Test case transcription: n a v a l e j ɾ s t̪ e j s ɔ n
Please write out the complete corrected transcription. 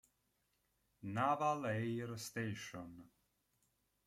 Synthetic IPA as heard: n a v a l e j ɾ s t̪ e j ʃ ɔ n